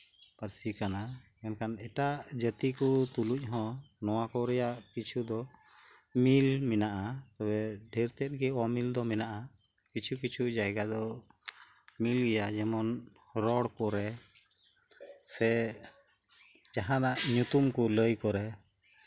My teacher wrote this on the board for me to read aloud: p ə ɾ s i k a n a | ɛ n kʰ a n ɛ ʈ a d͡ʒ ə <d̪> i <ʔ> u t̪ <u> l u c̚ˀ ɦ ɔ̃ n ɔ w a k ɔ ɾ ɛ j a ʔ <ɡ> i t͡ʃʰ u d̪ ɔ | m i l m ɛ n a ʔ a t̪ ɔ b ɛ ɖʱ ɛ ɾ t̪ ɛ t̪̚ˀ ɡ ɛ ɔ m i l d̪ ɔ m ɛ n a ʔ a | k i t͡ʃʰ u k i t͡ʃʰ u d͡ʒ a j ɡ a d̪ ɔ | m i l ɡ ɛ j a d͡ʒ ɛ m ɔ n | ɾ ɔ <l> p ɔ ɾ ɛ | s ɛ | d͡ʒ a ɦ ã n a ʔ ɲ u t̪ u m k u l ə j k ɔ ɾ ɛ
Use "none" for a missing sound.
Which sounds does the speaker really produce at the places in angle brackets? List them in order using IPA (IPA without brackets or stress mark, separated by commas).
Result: t̪, k, u, k, ɽ